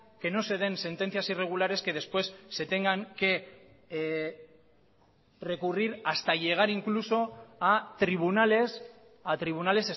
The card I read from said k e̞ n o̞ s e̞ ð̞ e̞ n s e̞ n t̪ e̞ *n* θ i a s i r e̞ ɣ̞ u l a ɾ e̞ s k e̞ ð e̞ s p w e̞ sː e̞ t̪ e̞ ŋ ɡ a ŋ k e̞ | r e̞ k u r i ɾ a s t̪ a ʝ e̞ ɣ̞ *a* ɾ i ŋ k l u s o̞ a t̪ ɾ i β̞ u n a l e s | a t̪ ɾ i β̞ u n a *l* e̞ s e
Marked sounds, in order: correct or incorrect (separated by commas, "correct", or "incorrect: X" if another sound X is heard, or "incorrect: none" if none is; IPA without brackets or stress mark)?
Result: correct, correct, correct